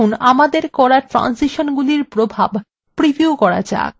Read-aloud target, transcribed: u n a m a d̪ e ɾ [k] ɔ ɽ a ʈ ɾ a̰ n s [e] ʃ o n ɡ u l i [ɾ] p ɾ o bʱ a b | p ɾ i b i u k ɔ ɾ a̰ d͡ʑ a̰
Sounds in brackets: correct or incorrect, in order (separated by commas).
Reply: correct, incorrect, correct